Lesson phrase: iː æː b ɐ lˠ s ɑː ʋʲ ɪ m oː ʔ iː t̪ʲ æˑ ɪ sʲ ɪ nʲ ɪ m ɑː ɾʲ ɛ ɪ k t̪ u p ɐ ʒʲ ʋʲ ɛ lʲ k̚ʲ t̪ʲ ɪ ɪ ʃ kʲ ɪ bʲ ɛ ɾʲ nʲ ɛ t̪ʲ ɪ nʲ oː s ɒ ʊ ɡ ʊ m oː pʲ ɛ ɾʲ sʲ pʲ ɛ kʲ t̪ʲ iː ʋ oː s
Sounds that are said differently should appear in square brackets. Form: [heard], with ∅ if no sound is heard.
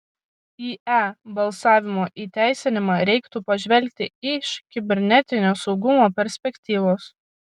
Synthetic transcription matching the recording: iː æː b ɐ lˠ s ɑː ʋʲ ɪ m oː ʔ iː t̪ʲ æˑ ɪ sʲ ɪ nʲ ɪ m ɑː ɾʲ ɛ ɪ k t̪ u p ɐ ʒʲ ʋʲ ɛ lʲ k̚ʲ t̪ʲ ɪ ɪ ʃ kʲ ɪ bʲ ɛ ɾʲ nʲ ɛ t̪ʲ ɪ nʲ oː s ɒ ʊ ɡ ʊ m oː pʲ ɛ ɾʲ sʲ pʲ ɛ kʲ t̪ʲ iː ʋ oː s